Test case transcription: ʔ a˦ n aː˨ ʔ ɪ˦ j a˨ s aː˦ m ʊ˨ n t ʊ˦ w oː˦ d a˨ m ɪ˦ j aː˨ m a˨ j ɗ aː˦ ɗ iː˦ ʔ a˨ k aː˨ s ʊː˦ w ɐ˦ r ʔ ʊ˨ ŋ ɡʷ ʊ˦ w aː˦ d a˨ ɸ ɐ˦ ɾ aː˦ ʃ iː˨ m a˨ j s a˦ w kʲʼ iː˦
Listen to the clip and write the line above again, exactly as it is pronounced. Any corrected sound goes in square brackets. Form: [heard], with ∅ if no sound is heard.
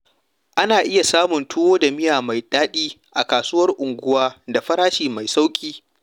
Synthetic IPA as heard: ʔ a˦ n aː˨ ʔ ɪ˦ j a˨ s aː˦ m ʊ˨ n t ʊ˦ w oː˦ d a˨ m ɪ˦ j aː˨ m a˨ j ɗ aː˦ ɗ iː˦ ʔ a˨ k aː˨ s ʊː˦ w ɐ˦ r ʔ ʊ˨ ŋ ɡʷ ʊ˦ w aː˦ d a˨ ɸ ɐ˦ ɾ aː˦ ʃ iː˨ m a˨ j s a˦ w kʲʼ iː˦